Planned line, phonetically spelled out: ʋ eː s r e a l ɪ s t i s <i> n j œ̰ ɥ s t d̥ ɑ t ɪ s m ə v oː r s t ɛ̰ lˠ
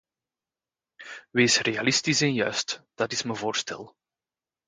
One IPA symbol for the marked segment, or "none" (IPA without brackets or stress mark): ɛ